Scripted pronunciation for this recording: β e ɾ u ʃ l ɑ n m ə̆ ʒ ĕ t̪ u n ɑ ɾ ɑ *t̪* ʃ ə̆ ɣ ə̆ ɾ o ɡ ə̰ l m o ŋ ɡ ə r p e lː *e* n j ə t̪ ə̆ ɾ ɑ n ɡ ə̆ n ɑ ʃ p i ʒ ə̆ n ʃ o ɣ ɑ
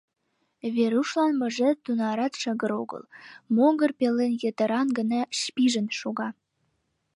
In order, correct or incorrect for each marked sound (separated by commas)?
correct, correct